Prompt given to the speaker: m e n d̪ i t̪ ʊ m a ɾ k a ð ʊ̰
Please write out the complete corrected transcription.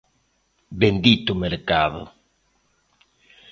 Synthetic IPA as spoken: b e n d̪ i t̪ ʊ m e ɾ k a ð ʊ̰